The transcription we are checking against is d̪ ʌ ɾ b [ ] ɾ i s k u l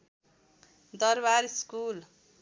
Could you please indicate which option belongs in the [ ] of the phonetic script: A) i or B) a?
B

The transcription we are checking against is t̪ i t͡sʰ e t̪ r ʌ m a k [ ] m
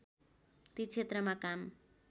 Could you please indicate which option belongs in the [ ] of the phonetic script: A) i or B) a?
B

